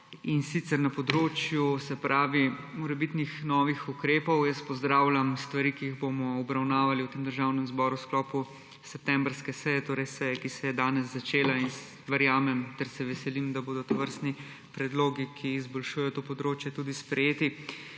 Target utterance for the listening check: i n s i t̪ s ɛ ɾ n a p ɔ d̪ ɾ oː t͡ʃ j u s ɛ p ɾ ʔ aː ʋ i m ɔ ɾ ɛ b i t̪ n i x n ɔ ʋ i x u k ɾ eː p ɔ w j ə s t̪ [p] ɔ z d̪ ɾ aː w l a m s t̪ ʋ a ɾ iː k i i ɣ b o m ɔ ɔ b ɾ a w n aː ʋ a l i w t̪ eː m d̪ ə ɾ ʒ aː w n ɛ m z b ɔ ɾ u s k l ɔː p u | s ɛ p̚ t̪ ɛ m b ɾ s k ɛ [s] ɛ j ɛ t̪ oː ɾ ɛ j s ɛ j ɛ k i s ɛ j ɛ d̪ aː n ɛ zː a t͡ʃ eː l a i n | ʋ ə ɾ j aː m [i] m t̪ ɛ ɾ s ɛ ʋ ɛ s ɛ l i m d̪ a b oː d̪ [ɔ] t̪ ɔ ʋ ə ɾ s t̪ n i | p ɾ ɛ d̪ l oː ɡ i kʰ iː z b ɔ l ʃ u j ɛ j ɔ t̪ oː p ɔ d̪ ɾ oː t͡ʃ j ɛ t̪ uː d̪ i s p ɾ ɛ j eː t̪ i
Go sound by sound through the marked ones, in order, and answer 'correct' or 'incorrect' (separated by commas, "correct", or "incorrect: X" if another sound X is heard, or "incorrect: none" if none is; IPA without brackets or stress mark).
correct, correct, incorrect: ɛ, correct